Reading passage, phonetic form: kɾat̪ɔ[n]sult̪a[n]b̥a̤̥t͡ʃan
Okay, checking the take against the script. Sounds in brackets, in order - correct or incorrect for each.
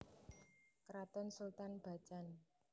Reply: correct, correct

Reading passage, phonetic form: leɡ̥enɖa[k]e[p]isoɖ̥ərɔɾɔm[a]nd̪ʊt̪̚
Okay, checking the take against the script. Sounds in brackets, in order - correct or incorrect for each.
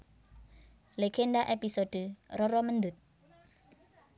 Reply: incorrect, correct, incorrect

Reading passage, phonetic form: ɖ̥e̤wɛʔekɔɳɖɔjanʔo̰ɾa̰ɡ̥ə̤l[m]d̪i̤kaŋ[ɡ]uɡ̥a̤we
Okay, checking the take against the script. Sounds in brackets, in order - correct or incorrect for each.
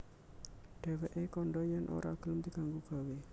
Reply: correct, correct

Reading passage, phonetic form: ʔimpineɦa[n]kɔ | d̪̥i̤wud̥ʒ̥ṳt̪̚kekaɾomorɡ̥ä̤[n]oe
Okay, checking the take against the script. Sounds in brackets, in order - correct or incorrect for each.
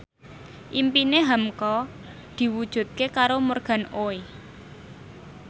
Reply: incorrect, correct

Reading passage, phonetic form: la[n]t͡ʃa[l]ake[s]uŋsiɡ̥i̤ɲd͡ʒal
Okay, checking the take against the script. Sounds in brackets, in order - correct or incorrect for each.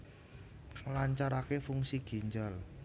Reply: incorrect, incorrect, incorrect

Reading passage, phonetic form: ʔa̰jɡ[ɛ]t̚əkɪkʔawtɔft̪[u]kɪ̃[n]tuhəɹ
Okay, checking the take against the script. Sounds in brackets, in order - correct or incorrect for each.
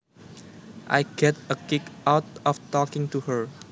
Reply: correct, incorrect, incorrect

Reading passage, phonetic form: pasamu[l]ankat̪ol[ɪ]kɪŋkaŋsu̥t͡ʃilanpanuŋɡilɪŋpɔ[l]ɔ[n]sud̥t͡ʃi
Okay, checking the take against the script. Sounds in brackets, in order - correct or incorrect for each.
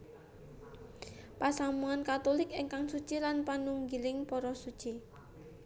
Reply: incorrect, correct, incorrect, incorrect

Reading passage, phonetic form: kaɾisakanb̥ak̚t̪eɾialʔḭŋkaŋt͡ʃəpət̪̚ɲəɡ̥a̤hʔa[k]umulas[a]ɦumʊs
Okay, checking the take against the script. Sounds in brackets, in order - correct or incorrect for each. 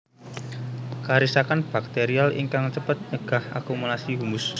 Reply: correct, incorrect

